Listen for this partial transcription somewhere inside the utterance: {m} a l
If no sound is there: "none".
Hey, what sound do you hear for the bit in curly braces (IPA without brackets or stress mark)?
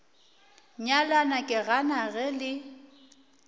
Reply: ɲ